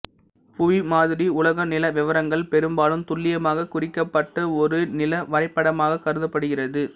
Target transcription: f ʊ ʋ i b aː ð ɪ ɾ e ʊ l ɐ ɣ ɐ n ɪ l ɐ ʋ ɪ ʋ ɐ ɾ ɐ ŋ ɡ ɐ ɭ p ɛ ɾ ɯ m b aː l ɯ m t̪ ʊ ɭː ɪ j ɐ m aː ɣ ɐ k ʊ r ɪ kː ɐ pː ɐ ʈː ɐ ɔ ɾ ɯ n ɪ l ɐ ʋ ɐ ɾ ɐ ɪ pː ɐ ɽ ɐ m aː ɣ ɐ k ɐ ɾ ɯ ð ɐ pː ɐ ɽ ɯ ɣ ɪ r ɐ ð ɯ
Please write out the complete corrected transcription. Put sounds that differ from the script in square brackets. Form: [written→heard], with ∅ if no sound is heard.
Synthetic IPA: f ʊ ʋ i [b→m] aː ð ɪ ɾ [e→i] ʊ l ɐ ɣ ɐ n ɪ l ɐ ʋ ɪ ʋ ɐ ɾ ɐ ŋ ɡ ɐ ɭ p ɛ ɾ ɯ m b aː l ɯ m t̪ ʊ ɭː ɪ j ɐ m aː ɣ ɐ k ʊ r ɪ kː ɐ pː ɐ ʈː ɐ ɔ ɾ ɯ n ɪ l ɐ ʋ ɐ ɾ ɐ ɪ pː ɐ ɽ ɐ m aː ɣ ɐ k ɐ ɾ ɯ ð ɐ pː ɐ ɽ ɯ ɣ ɪ r ɐ ð ɯ